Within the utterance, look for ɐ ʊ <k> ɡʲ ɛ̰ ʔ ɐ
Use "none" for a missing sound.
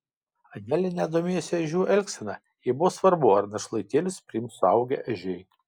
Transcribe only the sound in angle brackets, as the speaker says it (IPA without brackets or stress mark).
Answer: none